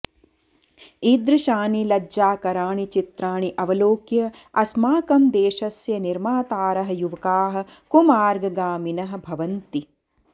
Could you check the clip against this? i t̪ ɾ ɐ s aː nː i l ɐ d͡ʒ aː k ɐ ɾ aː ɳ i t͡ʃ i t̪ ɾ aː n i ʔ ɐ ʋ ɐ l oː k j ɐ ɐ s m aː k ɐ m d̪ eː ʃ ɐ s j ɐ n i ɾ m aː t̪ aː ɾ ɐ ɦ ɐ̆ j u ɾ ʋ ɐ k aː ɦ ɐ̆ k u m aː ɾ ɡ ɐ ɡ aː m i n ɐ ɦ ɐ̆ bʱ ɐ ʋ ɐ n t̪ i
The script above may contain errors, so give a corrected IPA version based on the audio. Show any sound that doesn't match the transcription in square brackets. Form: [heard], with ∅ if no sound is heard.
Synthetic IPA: i [d̪] ɾ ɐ [ʃ] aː [n] i l ɐ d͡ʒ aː k ɐ ɾ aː ɳ i t͡ʃ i t̪ ɾ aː [ɳ] i ʔ ɐ ʋ ɐ l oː k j ɐ ɐ s m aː k ɐ m d̪ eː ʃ ɐ s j ɐ n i ɾ m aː t̪ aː ɾ ɐ ɦ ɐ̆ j u [∅] ʋ ɐ k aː ɦ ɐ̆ k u m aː ɾ ɡ ɐ ɡ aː m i n ɐ ɦ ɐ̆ bʱ ɐ ʋ ɐ n t̪ i